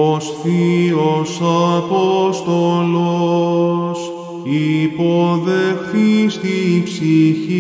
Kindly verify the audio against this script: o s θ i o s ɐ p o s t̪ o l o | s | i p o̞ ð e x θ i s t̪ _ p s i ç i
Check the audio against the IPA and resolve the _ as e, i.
i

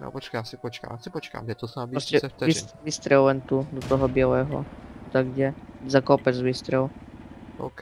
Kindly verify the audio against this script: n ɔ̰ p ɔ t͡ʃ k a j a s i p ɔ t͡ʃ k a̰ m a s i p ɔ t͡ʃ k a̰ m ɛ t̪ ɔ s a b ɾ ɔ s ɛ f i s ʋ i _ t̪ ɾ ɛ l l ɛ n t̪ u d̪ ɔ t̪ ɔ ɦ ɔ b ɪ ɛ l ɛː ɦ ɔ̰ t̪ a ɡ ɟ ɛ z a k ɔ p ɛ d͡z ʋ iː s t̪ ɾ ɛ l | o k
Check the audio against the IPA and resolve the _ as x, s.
s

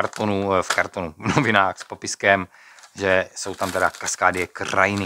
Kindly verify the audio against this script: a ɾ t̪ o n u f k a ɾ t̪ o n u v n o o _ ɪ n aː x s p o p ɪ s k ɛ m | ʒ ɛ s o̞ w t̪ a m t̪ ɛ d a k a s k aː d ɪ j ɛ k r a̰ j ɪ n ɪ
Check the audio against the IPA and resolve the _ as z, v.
v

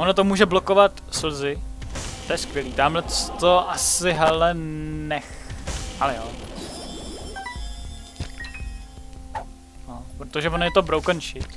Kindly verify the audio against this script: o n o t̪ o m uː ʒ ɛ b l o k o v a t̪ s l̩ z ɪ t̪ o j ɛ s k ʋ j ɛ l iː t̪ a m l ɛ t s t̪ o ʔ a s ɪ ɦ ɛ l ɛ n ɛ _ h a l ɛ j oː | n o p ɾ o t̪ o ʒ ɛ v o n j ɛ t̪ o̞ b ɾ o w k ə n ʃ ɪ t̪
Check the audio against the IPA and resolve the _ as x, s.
x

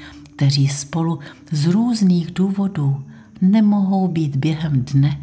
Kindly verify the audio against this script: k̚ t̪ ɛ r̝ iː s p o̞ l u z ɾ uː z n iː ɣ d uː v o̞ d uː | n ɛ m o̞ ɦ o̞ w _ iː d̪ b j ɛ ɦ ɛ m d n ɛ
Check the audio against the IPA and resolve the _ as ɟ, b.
b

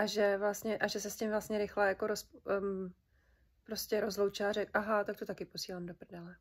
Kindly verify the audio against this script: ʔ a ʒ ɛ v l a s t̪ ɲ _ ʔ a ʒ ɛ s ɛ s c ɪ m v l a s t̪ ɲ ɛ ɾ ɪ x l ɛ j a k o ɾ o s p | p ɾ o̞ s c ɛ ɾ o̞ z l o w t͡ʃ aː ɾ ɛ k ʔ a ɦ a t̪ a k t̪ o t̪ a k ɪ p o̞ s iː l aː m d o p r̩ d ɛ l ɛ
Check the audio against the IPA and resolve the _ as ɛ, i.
ɛ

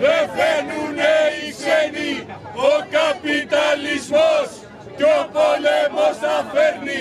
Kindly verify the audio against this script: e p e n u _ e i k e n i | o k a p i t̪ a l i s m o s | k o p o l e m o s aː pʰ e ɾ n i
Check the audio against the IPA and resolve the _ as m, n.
n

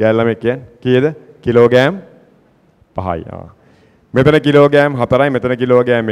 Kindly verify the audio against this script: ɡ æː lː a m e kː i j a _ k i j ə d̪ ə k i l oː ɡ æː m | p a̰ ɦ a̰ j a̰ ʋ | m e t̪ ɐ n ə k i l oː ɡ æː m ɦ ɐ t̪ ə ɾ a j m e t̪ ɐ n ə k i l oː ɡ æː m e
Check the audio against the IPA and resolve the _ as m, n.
n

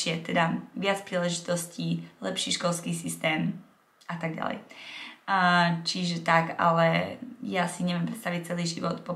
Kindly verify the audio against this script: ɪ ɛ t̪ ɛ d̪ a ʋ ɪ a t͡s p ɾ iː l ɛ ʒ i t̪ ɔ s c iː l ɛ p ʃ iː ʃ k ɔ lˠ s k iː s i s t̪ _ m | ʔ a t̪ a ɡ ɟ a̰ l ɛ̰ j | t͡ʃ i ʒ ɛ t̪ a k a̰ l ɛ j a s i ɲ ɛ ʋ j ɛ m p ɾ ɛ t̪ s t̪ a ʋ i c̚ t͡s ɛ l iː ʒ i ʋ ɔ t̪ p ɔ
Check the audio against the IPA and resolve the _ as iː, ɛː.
ɛː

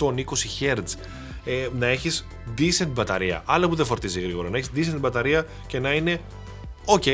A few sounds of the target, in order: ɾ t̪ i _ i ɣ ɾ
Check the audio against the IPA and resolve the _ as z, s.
z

